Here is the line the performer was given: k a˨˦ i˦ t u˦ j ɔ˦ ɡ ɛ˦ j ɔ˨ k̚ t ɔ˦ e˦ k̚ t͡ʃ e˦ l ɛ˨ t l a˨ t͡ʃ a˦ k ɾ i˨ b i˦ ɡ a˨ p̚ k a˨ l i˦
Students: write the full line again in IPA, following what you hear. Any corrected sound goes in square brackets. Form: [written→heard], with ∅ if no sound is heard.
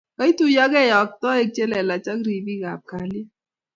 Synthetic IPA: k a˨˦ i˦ t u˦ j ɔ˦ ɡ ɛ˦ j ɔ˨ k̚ t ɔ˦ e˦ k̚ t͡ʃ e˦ l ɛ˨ [t→∅] l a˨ t͡ʃ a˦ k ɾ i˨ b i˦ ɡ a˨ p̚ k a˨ l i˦